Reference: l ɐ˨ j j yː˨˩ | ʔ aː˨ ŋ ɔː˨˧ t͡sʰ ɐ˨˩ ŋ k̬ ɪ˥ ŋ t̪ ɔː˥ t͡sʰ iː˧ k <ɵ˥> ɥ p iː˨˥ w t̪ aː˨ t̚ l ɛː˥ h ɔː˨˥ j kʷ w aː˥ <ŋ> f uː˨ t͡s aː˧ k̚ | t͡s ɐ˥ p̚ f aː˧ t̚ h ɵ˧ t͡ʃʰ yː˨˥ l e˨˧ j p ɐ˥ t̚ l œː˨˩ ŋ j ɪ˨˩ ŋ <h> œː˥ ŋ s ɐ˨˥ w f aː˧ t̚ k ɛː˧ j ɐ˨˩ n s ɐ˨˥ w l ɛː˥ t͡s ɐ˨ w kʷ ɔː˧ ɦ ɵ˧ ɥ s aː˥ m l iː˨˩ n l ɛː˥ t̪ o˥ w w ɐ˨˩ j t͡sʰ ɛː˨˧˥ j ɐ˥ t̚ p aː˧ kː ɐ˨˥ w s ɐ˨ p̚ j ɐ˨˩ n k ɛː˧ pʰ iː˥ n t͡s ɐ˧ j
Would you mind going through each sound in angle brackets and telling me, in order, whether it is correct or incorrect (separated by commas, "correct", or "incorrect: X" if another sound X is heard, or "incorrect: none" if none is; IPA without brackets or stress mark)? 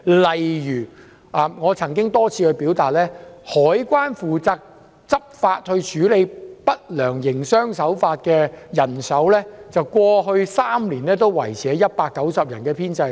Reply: incorrect: ɵ˧, incorrect: n, incorrect: s